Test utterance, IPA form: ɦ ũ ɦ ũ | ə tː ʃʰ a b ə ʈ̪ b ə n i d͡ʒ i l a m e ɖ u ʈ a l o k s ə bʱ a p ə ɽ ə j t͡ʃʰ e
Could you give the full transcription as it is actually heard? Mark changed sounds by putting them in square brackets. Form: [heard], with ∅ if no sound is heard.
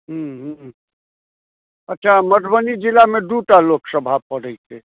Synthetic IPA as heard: ɦ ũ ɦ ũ | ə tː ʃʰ a [m] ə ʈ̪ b ə n i d͡ʒ i l a m e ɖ u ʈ a l o k s ə bʱ a p ə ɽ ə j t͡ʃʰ e